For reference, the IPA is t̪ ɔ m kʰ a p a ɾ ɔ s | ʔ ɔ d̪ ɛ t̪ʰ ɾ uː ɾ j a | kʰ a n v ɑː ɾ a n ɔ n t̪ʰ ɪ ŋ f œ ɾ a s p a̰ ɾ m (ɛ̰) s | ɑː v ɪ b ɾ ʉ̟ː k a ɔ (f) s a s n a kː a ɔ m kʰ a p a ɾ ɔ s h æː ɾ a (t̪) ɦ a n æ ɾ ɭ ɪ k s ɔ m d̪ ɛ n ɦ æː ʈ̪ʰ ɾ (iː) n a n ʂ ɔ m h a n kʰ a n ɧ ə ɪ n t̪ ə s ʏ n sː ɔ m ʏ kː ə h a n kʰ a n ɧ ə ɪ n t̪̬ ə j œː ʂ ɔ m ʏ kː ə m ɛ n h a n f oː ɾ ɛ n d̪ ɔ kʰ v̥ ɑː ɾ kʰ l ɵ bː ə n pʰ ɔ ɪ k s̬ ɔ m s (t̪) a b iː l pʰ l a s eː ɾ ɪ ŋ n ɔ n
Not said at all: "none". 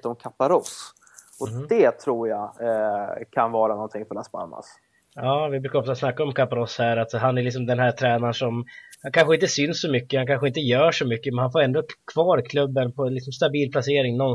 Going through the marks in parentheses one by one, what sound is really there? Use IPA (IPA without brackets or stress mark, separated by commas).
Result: a̰, f, t̪, ɛː, t̪